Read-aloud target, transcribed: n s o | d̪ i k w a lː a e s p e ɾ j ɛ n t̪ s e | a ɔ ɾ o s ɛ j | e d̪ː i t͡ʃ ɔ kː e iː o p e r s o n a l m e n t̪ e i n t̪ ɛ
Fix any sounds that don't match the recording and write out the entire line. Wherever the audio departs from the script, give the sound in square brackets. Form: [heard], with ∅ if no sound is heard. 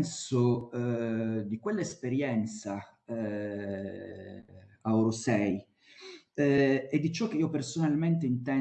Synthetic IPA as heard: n s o | d̪ i k w [e] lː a e s p e ɾ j ɛ n t̪ s [a] | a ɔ ɾ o s ɛ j | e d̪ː i t͡ʃ ɔ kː e iː o p e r s o n a l m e n t̪ e i n t̪ ɛ